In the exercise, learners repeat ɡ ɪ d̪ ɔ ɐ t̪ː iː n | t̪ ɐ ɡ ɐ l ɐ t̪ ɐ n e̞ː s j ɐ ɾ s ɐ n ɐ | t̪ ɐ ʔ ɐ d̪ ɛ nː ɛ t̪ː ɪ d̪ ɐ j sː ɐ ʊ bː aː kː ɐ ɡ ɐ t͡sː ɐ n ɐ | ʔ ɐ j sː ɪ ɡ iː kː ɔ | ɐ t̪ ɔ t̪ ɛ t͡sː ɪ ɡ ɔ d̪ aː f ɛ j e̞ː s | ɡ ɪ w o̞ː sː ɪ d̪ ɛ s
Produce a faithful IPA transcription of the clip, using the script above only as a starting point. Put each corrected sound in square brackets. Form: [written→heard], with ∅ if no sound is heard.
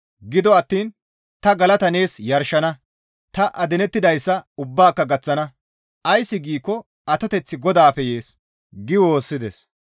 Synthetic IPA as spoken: ɡ ɪ d̪ ɔ ɐ t̪ː iː n | t̪ ɐ ɡ ɐ l ɐ t̪ ɐ n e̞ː s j ɐ ɾ [s→ʃ] ɐ n ɐ | t̪ ɐ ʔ ɐ d̪ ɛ [nː→n] ɛ t̪ː ɪ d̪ ɐ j sː ɐ ʊ bː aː kː ɐ ɡ ɐ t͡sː ɐ n ɐ | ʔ ɐ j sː ɪ ɡ iː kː ɔ | ɐ t̪ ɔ t̪ ɛ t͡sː ɪ ɡ ɔ d̪ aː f ɛ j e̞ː s | ɡ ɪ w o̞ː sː ɪ d̪ ɛ s

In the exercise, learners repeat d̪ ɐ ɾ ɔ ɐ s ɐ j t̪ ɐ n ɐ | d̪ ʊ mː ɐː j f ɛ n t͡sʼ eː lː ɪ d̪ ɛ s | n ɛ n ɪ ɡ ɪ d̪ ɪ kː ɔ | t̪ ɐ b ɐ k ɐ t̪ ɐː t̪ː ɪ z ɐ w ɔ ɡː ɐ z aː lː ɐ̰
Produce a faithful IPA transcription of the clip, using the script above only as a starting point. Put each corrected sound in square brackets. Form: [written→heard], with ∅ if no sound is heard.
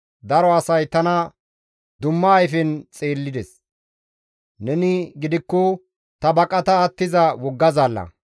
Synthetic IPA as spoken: d̪ ɐ ɾ ɔ ɐ s ɐ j t̪ ɐ n ɐ | d̪ ʊ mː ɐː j f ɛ n t͡sʼ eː lː ɪ d̪ ɛ s | n ɛ n ɪ ɡ ɪ d̪ ɪ kː ɔ | t̪ ɐ b ɐ [k→kʼ] ɐ t̪ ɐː t̪ː ɪ z ɐ w ɔ ɡː ɐ z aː lː ɐ̰

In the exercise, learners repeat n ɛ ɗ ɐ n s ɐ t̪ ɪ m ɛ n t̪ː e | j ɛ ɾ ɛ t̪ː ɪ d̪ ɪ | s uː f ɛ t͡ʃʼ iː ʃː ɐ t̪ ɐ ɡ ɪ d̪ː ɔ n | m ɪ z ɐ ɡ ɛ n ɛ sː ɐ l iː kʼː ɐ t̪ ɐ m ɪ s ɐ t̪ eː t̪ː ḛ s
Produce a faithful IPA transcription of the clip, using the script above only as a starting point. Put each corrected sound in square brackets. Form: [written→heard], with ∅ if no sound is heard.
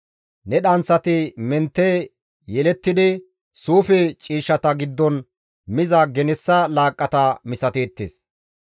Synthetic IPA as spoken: n ɛ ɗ ɐ n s ɐ t̪ ɪ m ɛ n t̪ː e | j ɛ [ɾ→l] ɛ t̪ː ɪ d̪ ɪ | s uː f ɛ t͡ʃʼ iː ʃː ɐ t̪ ɐ ɡ ɪ d̪ː ɔ n | m ɪ z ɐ ɡ ɛ n ɛ sː ɐ l [iː→aː] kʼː ɐ t̪ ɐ m ɪ s ɐ t̪ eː t̪ː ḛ s

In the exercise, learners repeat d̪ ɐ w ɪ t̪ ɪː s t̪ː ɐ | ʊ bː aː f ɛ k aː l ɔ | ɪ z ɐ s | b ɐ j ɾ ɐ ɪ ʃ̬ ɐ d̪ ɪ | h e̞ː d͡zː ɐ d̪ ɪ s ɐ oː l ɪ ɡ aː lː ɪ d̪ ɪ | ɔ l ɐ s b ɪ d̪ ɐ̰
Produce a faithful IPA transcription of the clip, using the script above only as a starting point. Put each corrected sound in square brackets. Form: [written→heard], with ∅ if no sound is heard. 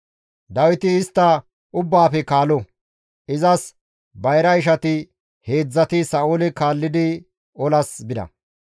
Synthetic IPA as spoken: d̪ ɐ w ɪ t̪ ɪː s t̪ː ɐ | ʊ bː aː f ɛ k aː l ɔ | ɪ z ɐ s | b ɐ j ɾ ɐ ɪ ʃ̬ ɐ [d̪→t̪] ɪ | h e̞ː d͡zː ɐ [d̪→t̪] ɪ s ɐ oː l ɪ [ɡ→k] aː lː ɪ d̪ ɪ | ɔ l ɐ s b ɪ d̪ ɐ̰

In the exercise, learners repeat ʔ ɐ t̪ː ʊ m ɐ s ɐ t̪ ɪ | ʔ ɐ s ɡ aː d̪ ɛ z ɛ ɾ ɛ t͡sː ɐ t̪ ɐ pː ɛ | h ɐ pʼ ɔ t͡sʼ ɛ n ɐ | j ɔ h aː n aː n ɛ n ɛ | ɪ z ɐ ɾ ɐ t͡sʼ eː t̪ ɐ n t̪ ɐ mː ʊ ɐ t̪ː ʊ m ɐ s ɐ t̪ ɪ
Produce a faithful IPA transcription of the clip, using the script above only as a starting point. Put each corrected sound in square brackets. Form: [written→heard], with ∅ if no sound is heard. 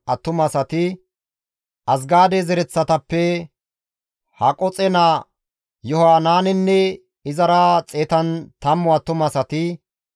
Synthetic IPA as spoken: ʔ ɐ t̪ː ʊ m ɐ s ɐ t̪ ɪ | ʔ ɐ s ɡ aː d̪ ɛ z ɛ ɾ ɛ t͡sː ɐ t̪ ɐ pː ɛ | h ɐ [pʼ→kʼ] ɔ t͡sʼ ɛ n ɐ | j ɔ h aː n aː n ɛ [n→nː] ɛ | ɪ z ɐ ɾ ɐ t͡sʼ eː t̪ ɐ n t̪ ɐ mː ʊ ɐ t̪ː ʊ m ɐ s ɐ t̪ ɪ

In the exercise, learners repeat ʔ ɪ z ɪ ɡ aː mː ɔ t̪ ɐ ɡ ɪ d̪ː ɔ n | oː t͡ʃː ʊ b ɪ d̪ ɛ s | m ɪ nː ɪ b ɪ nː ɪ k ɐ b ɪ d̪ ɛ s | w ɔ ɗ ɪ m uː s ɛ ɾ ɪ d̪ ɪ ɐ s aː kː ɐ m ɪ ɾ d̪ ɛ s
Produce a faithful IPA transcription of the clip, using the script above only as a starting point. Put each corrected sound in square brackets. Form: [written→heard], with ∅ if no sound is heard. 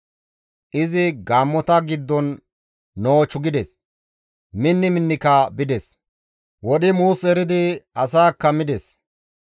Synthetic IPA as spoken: ʔ ɪ z ɪ ɡ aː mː ɔ t̪ ɐ ɡ ɪ d̪ː ɔ [n→nː] | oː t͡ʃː ʊ [b→ɡ] ɪ d̪ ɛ s | m ɪ nː ɪ [b→m] ɪ nː ɪ k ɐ b ɪ d̪ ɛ s | w ɔ ɗ ɪ m uː s ɛ ɾ ɪ d̪ ɪ ɐ s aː kː ɐ m ɪ [ɾ→∅] d̪ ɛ s

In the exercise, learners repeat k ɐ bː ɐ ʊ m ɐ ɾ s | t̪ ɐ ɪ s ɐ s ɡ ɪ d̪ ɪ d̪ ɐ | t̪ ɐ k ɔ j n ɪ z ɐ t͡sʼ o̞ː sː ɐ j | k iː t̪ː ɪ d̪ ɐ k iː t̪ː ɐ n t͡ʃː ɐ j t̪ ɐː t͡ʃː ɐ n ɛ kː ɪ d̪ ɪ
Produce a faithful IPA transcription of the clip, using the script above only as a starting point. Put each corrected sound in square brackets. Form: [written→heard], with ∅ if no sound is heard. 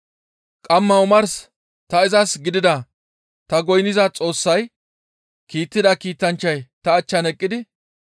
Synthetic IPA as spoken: [k→kʼ] ɐ [bː→mː] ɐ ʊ m ɐ ɾ s | t̪ ɐ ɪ [s→z] ɐ s ɡ ɪ d̪ ɪ d̪ ɐ | t̪ ɐ [k→ɡ] ɔ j n ɪ z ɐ t͡sʼ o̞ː sː ɐ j | k iː t̪ː ɪ d̪ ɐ k iː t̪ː ɐ n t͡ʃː ɐ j t̪ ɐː t͡ʃː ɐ n ɛ [kː→kʼː] ɪ d̪ ɪ

